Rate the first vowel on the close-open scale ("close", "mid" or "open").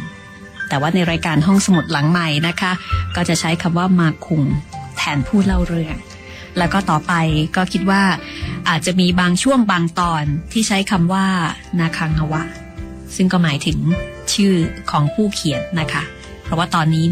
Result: mid